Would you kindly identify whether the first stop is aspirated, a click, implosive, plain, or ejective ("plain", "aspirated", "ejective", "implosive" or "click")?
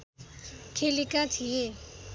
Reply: aspirated